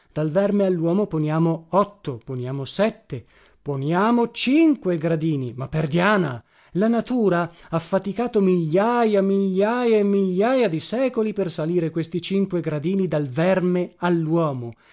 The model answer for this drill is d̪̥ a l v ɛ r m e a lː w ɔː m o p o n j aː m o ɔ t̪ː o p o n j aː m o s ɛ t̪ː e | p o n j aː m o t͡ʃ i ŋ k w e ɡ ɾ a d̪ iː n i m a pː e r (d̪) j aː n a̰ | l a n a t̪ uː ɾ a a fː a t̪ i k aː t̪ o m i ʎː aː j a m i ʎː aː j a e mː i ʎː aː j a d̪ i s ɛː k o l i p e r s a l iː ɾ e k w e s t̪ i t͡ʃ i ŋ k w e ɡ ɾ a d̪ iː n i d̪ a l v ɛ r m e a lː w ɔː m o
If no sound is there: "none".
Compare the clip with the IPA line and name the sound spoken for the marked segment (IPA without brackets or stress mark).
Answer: d̪